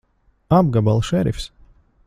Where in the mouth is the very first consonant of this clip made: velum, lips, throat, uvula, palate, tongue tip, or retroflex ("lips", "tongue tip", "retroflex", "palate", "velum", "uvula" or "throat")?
lips